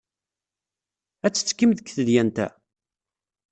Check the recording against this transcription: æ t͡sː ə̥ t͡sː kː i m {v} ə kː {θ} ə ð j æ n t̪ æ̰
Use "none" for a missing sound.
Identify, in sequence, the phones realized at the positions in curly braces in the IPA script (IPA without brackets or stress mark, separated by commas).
ð, θ